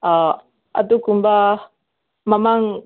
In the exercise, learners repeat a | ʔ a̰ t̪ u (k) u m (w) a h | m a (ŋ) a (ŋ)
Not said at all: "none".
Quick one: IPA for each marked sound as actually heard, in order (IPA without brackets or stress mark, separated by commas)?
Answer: k, b, m, ŋ